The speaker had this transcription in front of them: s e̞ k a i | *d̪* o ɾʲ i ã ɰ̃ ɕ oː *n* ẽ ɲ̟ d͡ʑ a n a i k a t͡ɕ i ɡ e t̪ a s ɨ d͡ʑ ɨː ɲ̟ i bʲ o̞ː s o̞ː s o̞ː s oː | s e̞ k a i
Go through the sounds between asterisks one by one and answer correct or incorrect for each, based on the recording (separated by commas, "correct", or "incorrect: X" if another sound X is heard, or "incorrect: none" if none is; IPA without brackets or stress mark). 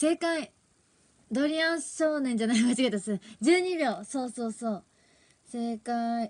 correct, correct